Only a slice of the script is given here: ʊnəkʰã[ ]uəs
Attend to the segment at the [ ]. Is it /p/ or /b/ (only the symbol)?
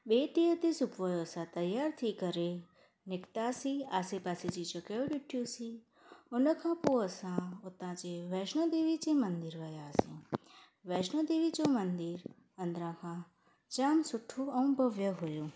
p